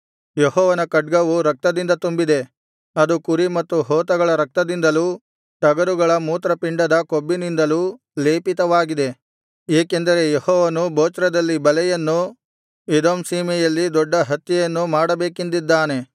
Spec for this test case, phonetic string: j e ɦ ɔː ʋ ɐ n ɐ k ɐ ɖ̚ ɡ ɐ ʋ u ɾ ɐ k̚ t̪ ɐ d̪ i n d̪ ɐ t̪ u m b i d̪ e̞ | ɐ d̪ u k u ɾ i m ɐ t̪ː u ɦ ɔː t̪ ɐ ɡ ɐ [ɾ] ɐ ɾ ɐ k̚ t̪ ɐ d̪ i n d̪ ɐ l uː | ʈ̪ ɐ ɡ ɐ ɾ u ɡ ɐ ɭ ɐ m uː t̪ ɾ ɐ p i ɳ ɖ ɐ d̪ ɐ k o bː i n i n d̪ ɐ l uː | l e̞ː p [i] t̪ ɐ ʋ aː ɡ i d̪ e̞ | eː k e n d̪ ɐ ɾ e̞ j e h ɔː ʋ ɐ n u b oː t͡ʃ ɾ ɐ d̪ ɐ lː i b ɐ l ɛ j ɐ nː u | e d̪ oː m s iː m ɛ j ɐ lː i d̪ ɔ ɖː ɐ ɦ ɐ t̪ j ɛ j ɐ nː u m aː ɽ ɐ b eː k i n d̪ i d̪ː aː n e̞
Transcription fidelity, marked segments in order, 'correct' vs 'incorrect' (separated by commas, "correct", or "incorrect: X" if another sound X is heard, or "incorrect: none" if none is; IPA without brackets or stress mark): incorrect: ɭ, correct